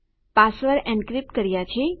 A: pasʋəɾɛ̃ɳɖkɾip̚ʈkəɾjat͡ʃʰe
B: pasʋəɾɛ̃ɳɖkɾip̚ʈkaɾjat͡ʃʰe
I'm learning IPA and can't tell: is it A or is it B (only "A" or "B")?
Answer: A